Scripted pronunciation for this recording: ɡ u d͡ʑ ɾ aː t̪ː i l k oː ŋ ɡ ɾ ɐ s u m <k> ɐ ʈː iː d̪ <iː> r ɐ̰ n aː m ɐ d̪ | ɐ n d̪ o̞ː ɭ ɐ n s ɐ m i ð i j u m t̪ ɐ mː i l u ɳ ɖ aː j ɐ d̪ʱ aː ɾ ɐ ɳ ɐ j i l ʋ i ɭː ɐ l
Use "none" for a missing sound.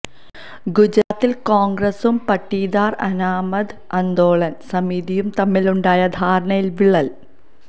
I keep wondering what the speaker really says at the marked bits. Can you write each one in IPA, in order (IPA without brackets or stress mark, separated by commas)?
p, aː